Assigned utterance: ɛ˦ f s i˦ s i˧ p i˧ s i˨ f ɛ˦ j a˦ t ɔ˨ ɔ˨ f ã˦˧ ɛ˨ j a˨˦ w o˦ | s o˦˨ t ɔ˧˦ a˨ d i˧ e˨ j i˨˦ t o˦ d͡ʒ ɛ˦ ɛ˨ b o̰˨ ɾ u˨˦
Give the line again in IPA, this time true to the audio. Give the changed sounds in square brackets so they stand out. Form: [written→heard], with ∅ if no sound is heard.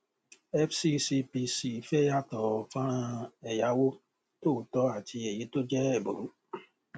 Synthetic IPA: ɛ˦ f s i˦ s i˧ p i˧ s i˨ f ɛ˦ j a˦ t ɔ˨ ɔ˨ f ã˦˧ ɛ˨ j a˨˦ w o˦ | [s→t] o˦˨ t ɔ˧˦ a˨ [d→t] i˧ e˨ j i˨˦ t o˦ d͡ʒ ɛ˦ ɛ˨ b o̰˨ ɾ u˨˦

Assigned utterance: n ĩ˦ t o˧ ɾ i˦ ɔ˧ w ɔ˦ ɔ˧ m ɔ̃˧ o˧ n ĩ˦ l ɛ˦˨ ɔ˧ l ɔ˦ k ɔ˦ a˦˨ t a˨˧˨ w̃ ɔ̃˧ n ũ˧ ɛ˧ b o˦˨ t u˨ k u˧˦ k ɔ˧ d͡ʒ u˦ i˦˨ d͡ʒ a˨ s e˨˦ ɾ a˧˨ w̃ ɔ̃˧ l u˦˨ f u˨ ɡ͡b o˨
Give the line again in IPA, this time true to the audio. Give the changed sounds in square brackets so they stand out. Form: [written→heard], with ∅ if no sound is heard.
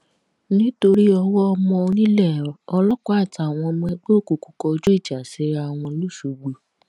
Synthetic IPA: n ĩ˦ t o˧ ɾ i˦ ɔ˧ w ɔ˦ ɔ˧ m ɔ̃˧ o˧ n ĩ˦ l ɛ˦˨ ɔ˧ l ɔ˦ k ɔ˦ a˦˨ t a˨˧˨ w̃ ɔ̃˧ [n→m] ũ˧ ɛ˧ [b→ɡ͡b] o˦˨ [t→k] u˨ k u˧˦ k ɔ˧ d͡ʒ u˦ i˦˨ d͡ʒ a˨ s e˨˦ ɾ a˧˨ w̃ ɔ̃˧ l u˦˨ [f→ʃ] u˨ ɡ͡b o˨

